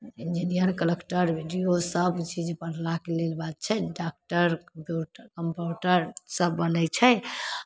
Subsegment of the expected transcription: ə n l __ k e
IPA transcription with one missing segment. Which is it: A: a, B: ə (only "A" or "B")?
A